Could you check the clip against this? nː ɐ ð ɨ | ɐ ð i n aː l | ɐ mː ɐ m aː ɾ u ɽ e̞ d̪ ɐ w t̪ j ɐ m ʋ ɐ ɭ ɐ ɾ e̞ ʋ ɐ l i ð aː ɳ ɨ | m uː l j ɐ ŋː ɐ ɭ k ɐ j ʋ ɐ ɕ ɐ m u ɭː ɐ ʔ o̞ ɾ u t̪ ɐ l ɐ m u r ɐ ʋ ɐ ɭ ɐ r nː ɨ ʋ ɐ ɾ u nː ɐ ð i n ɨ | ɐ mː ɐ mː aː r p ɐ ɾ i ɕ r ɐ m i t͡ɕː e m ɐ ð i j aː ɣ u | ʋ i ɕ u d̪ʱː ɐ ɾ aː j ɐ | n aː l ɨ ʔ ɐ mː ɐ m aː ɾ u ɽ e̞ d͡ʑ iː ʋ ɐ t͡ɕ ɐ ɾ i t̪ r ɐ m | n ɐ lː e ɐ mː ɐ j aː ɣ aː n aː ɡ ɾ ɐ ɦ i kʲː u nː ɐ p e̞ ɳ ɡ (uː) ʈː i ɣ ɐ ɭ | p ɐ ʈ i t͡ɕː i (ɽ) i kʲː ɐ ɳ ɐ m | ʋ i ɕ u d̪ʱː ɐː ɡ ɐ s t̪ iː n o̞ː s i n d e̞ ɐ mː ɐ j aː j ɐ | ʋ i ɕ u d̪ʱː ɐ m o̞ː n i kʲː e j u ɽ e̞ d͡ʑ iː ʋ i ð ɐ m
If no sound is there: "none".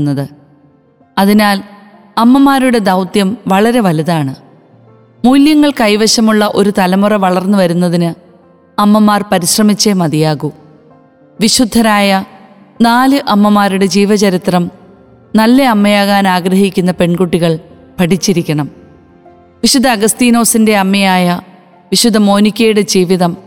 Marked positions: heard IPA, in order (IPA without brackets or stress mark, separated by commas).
u, ɾ